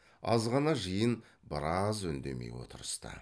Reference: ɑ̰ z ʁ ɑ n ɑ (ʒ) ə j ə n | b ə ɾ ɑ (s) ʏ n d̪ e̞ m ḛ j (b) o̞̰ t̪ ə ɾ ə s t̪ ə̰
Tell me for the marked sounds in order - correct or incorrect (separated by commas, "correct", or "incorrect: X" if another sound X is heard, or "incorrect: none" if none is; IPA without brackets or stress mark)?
correct, incorrect: z, incorrect: w